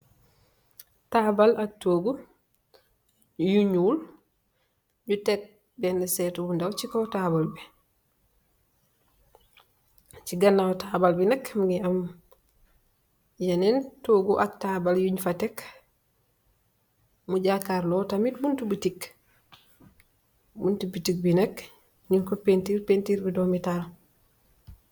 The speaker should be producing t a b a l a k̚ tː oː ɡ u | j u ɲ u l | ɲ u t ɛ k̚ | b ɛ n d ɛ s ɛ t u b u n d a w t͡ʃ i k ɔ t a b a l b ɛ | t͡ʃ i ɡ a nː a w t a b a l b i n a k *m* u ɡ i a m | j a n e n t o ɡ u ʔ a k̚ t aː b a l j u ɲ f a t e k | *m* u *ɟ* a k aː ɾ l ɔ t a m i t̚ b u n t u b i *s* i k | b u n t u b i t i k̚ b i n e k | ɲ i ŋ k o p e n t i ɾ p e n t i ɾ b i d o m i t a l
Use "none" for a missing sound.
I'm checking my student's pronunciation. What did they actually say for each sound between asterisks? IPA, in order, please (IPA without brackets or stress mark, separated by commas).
m, m, ɟ, t